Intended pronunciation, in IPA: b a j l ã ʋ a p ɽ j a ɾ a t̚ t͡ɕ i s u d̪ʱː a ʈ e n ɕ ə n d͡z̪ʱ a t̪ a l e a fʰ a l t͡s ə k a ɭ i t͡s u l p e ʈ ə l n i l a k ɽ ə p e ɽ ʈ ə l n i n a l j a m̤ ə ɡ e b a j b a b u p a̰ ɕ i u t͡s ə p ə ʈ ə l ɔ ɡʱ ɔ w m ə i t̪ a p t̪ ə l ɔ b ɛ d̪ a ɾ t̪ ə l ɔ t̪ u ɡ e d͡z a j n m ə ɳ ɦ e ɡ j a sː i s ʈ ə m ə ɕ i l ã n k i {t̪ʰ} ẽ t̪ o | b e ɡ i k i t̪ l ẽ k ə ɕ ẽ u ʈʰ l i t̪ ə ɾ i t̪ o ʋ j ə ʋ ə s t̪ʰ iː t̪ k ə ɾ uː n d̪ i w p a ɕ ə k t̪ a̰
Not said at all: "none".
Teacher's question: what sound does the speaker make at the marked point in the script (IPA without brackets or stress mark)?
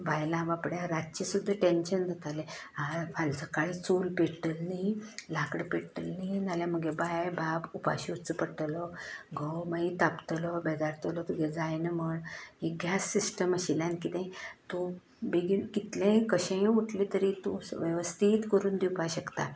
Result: t̪